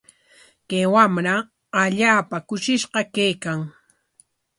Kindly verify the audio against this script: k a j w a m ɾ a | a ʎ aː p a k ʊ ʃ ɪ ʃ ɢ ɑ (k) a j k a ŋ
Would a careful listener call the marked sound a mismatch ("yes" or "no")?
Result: no